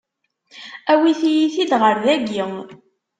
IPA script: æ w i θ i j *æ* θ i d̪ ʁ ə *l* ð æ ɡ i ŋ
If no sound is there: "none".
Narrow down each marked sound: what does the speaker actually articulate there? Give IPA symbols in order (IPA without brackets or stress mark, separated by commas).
i, ɾ